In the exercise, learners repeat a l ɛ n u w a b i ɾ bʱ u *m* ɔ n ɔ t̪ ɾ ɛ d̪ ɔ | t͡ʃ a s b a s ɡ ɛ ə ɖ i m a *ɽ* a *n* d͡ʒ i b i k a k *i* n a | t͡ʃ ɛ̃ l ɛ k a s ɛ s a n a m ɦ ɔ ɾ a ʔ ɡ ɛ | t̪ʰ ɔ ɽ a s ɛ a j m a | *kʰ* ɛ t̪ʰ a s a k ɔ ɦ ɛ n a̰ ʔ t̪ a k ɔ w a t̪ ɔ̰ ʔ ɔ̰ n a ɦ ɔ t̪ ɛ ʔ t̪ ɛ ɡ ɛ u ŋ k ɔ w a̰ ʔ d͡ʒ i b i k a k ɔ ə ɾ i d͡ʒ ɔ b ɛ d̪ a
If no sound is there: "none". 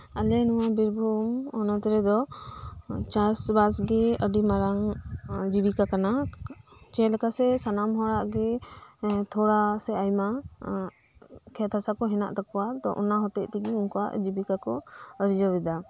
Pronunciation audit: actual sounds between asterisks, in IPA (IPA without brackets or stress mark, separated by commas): m, ɾ, ŋ, a, kʰ